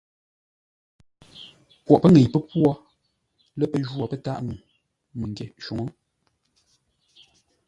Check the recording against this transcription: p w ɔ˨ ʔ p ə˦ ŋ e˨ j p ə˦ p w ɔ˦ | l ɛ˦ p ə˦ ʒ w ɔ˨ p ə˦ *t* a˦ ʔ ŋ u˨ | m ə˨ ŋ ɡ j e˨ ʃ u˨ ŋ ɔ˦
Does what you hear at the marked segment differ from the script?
no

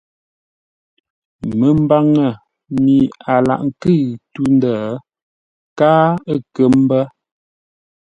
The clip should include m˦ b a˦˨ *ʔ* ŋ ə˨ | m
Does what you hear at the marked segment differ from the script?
yes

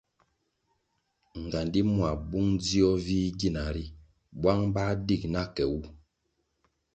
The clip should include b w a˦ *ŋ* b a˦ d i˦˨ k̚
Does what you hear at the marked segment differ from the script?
no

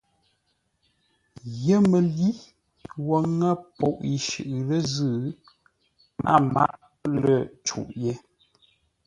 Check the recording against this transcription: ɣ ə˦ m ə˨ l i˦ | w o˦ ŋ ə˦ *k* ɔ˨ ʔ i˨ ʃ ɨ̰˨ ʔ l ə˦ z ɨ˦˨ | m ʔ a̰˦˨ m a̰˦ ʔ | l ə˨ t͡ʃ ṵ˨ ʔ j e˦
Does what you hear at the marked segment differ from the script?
yes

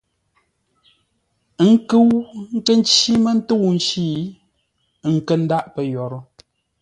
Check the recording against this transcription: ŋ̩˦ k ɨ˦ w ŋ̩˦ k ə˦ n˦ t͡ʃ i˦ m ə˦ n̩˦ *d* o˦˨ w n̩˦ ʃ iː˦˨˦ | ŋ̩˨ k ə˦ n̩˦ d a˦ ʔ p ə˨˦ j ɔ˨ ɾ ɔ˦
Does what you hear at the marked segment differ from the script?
yes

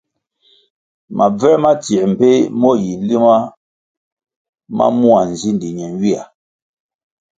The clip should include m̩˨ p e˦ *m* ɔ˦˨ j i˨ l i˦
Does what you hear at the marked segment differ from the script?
no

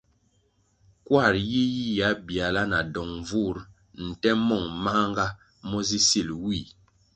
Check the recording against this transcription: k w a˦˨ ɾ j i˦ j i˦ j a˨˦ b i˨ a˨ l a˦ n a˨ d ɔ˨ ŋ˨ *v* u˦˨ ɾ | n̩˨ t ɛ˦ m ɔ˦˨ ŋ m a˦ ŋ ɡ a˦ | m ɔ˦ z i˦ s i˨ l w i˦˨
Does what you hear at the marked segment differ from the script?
no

